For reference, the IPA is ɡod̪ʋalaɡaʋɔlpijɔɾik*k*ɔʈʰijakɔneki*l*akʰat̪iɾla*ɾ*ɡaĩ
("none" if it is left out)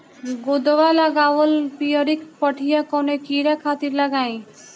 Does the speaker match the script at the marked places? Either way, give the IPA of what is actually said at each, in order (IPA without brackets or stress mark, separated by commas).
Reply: p, ɾ, none